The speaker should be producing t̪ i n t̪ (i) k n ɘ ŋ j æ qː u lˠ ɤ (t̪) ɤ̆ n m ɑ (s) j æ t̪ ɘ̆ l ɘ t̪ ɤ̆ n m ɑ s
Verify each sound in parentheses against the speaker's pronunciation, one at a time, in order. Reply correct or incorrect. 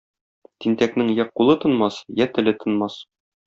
incorrect, correct, correct

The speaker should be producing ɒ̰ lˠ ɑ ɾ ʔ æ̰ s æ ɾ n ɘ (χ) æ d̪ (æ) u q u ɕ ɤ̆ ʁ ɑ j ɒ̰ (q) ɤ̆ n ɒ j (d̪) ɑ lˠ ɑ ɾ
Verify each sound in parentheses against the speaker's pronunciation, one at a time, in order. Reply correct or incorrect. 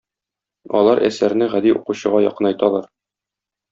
incorrect, incorrect, correct, incorrect

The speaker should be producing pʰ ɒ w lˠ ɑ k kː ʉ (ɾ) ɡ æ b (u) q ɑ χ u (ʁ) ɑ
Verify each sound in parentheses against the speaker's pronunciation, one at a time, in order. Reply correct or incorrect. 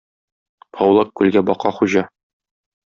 incorrect, incorrect, incorrect

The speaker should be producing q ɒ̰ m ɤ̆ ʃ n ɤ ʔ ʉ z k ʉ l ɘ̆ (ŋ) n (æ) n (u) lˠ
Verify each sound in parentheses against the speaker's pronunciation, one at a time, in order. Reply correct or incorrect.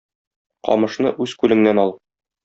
correct, correct, incorrect

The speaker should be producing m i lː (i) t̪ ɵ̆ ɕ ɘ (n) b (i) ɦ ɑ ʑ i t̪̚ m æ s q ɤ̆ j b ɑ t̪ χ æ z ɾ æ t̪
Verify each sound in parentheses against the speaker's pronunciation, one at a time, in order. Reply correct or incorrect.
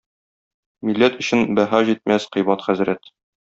incorrect, correct, incorrect

